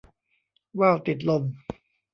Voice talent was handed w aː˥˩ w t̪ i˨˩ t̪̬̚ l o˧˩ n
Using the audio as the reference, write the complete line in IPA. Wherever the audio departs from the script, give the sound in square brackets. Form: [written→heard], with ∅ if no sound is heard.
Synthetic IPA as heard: w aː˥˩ w t̪ i˨˩ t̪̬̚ l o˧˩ [n→m]